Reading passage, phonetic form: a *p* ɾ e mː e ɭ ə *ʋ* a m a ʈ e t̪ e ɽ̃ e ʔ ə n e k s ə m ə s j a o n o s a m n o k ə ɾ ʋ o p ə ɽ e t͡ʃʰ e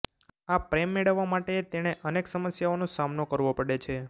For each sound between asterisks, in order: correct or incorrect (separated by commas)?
correct, incorrect